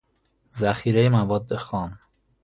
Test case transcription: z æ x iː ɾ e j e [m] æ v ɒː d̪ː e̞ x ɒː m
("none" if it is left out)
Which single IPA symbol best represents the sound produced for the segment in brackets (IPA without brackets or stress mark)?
m